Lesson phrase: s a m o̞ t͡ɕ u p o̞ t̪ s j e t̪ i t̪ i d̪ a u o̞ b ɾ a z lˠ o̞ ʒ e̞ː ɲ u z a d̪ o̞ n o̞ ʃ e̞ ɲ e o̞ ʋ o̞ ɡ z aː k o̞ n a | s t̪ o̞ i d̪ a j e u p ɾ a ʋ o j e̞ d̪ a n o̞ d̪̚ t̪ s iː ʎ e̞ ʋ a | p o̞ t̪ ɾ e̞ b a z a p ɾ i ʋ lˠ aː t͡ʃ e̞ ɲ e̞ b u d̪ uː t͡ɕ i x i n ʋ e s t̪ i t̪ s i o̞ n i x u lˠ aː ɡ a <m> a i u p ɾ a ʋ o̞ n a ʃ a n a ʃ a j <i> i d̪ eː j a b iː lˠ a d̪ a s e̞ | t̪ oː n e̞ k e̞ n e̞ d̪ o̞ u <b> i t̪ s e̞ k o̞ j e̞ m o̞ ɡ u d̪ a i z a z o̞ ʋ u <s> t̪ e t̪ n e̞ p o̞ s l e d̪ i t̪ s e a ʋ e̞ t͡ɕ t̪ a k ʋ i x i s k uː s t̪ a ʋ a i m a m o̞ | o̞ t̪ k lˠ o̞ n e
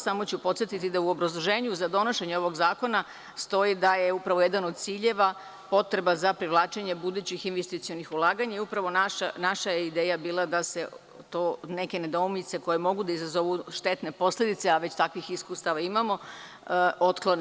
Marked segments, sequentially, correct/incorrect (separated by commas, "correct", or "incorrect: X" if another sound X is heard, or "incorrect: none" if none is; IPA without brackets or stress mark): incorrect: ɲ, incorrect: e, incorrect: m, incorrect: ʃ